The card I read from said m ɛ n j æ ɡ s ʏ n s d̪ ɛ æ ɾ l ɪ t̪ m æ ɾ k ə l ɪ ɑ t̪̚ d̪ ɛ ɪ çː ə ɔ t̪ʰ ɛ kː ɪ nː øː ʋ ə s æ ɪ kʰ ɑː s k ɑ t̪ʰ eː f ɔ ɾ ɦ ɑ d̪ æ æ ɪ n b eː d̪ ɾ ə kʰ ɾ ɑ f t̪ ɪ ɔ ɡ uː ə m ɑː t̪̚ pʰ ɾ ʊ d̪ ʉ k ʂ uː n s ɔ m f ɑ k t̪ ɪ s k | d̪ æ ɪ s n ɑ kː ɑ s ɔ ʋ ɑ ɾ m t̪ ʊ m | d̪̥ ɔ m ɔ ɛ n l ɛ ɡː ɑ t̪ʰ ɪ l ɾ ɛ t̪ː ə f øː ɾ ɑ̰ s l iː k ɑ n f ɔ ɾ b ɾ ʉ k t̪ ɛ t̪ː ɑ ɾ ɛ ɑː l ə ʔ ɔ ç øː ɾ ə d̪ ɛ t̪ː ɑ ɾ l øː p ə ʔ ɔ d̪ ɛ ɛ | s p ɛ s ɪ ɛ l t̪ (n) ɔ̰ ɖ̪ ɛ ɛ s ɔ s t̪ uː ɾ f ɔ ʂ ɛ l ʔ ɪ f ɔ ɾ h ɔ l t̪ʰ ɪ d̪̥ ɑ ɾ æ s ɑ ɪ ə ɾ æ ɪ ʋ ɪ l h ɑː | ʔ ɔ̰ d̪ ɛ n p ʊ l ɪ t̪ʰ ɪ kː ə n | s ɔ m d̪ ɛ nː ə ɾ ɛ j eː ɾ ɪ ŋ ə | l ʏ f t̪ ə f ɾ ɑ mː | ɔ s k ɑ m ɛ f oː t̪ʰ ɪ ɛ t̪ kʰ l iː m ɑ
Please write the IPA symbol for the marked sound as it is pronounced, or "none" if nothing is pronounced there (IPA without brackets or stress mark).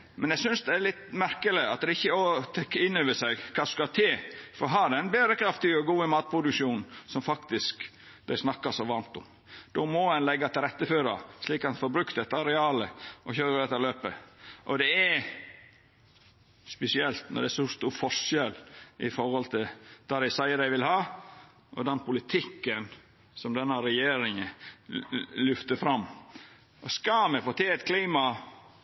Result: n